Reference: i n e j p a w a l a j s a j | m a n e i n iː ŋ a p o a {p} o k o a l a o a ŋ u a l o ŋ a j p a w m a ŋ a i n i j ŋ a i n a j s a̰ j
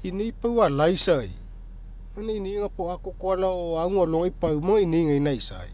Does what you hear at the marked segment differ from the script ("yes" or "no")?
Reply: yes